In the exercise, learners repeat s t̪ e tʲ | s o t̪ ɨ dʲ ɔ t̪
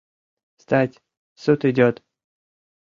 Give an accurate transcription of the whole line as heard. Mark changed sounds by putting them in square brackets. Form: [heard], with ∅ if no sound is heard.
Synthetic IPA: s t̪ [a] tʲ | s [u] t̪ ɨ dʲ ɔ t̪